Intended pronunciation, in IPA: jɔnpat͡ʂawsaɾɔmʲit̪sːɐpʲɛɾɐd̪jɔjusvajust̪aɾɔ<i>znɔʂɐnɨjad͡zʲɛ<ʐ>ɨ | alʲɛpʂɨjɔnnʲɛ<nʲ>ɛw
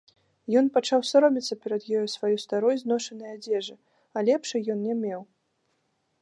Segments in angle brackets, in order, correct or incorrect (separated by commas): incorrect, correct, incorrect